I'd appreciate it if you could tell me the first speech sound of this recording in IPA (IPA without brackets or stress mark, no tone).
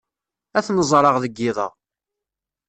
æ